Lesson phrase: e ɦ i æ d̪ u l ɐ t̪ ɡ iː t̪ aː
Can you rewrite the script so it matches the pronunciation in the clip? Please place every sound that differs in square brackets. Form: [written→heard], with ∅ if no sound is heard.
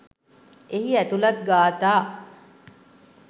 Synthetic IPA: e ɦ i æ [d̪→t̪] u l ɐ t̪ ɡ [iː→aː] t̪ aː